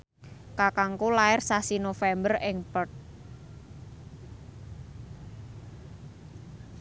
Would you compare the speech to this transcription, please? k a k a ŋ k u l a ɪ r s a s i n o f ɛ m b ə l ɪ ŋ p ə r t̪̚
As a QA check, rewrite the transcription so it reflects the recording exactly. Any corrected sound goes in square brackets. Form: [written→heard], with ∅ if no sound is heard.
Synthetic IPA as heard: k a k a ŋ k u l a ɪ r s a s i n o f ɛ m b ə [l→r] ɪ ŋ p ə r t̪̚